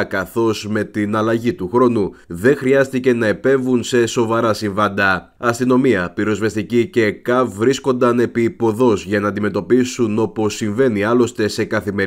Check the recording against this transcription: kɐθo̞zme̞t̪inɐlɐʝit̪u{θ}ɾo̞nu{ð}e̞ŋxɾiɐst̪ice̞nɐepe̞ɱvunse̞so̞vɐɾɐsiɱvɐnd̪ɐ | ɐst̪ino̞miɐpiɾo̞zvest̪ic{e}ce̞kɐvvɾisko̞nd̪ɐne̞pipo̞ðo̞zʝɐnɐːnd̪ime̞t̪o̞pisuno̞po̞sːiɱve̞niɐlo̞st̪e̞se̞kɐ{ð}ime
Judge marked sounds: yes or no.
no, yes, no, no

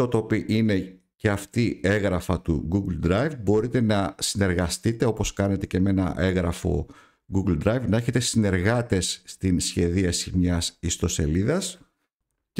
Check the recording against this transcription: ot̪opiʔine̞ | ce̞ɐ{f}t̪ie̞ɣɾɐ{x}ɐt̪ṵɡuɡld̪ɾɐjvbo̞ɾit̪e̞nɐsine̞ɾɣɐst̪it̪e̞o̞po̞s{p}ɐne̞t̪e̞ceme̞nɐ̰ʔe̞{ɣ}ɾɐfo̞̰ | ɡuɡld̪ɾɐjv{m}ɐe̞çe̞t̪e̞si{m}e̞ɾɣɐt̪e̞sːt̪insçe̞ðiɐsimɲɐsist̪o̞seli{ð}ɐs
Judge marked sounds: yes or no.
yes, no, no, yes, no, no, yes

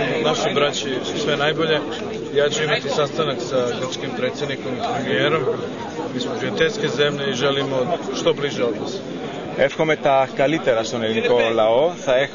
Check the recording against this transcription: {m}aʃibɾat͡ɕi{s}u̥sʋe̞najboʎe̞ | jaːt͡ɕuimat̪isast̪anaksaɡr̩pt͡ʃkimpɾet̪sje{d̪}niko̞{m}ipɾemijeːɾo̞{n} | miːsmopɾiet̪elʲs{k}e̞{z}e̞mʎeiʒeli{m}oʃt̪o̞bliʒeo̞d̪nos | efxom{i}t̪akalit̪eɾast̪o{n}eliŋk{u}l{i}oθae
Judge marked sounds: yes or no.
no, yes, yes, yes, no, yes, yes, yes, no, yes, no, no

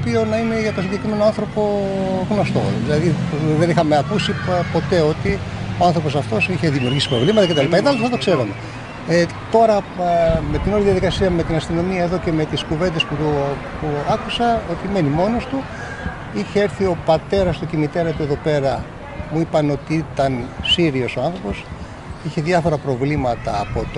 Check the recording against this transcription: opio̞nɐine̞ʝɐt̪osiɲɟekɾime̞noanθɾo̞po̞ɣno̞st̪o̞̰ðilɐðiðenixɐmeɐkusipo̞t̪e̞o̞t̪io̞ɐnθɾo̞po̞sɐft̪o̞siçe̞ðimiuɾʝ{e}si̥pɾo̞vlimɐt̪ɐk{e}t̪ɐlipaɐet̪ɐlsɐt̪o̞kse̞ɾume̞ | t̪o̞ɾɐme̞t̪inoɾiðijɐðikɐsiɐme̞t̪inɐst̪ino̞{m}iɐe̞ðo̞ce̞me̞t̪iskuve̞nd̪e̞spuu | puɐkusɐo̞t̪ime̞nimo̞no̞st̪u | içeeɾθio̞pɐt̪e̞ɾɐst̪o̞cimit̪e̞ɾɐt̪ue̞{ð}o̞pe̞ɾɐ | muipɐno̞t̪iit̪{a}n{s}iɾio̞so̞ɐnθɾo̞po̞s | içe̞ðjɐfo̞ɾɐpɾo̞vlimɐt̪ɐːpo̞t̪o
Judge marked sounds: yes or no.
no, yes, yes, yes, no, yes

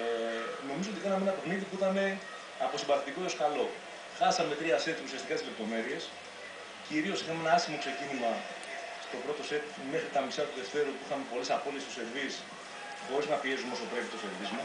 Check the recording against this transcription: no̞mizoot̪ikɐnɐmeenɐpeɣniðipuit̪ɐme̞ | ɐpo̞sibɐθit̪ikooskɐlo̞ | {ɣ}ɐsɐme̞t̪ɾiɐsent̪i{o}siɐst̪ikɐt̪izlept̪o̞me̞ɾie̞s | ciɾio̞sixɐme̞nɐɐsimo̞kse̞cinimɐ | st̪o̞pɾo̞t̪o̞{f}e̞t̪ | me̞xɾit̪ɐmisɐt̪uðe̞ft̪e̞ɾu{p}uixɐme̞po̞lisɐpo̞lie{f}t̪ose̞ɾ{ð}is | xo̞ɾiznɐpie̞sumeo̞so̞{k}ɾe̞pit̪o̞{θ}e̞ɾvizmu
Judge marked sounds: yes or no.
no, no, no, yes, no, no, no, no

